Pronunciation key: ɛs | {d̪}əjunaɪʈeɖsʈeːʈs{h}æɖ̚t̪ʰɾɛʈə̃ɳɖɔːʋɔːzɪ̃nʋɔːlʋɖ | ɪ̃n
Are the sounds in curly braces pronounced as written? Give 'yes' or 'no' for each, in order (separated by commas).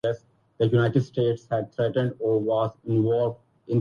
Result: yes, yes